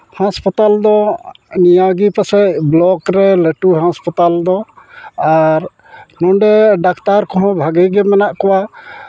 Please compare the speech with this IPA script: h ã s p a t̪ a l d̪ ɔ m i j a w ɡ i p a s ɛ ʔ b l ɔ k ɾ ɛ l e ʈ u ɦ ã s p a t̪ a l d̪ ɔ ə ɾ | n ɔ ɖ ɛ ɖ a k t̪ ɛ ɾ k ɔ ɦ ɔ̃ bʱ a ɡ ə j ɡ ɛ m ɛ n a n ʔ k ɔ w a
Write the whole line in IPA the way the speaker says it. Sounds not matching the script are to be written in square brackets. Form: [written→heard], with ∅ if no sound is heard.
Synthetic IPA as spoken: h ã s p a t̪ a l d̪ ɔ [m→n] i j a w ɡ i p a s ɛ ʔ b l ɔ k ɾ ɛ l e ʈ u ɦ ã s p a t̪ a l d̪ ɔ [ə→a] ɾ | n ɔ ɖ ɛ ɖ a k t̪ [ɛ→a] ɾ k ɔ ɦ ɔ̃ bʱ a ɡ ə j ɡ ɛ m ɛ n a [n→∅] ʔ k ɔ w a